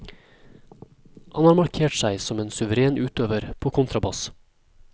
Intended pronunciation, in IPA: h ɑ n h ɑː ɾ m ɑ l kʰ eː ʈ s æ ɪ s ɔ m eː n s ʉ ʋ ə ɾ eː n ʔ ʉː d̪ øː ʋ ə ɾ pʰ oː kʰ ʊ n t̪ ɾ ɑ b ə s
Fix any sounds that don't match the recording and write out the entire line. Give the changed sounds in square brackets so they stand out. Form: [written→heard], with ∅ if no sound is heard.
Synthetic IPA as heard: h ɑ n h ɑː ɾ m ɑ [l→ɾ] kʰ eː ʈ s æ ɪ s ɔ m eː n s ʉ ʋ ə ɾ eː n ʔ ʉː [d̪→t̪] øː ʋ ə ɾ pʰ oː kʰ ʊ n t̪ ɾ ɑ b [ə→ɑ] s

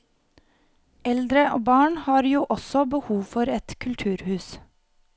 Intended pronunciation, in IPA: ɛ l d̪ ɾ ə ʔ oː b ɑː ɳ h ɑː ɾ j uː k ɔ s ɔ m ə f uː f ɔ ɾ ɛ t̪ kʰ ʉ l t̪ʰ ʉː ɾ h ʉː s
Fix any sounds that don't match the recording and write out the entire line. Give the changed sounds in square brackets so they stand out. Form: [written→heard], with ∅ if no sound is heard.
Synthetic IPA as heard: ɛ l d̪ ɾ ə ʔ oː b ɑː ɳ h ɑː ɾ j uː [k→ʔ] ɔ s ɔ [m→b] ə [f→h] uː f ɔ ɾ ɛ t̪ kʰ ʉ l t̪ʰ ʉː ɾ h ʉː s

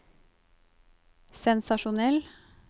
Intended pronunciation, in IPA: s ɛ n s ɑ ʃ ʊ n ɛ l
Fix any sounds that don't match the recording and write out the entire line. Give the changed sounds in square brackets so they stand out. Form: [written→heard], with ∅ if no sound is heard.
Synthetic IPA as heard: s ɛ n s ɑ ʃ ʊ n ɛ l

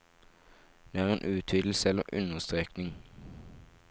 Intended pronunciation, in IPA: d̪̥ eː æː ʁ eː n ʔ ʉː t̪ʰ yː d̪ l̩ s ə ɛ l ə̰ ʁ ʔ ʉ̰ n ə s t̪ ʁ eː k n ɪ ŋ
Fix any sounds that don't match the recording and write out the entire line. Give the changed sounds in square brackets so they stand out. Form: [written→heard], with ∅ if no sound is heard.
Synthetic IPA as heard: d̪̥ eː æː ʁ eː n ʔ ʉː t̪ʰ yː d̪ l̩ s ə ɛ l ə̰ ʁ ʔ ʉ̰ n ə s t̪ ʁ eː k n ɪ ŋ

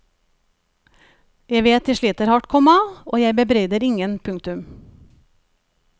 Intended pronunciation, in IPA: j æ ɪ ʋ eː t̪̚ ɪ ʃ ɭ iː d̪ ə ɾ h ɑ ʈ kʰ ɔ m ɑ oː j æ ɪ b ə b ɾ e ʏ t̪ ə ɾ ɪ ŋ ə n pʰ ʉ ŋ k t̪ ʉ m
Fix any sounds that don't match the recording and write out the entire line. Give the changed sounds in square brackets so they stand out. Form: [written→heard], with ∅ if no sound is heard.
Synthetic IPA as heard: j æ ɪ ʋ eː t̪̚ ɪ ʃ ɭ iː [d̪→t̪] ə ɾ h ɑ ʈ kʰ ɔ m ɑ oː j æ ɪ b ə b ɾ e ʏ [t̪→d̪] ə ɾ ɪ ŋ ə n pʰ ʉ ŋ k t̪ ʉ m

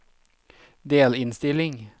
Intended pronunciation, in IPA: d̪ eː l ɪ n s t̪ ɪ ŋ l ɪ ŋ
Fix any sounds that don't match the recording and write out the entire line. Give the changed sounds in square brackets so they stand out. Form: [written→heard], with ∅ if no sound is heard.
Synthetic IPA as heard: d̪ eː l ɪ n s t̪ ɪ [ŋ→∅] l ɪ ŋ

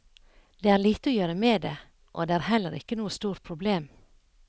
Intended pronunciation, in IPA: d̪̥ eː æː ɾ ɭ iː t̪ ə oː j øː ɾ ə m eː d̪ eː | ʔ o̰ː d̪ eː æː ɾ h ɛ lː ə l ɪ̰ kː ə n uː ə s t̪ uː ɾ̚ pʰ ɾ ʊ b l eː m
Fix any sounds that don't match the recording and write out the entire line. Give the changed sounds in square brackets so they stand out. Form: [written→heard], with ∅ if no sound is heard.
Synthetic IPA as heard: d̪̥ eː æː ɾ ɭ iː t̪ ə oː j øː ɾ ə m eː d̪ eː | ʔ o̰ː d̪ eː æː ɾ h ɛ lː ə [l→ɾ] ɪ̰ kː ə n uː ə s t̪ uː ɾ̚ pʰ ɾ ʊ b l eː m

